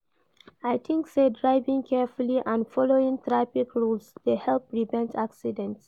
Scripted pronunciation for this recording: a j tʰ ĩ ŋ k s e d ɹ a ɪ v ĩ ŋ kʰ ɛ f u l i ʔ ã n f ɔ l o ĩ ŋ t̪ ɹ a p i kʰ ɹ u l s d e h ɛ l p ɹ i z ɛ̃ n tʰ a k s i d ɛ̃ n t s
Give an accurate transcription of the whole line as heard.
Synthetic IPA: a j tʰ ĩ ŋ k s e d ɹ a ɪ v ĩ ŋ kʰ ɛ f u l i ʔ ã n f ɔ l o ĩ ŋ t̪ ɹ a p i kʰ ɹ u l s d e h ɛ l p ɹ i v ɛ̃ n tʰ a k s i d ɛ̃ n t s